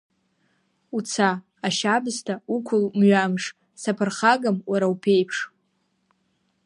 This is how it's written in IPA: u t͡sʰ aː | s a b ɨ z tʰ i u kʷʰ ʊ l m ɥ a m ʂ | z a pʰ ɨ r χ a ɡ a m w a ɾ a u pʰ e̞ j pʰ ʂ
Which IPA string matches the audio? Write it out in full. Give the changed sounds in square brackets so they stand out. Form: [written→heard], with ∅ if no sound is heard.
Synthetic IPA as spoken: u t͡sʰ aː | [s→ʃ] a b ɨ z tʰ [i→a] u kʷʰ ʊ l m ɥ a m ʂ | [z→s] a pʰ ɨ r χ a ɡ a m w a ɾ a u pʰ e̞ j pʰ ʂ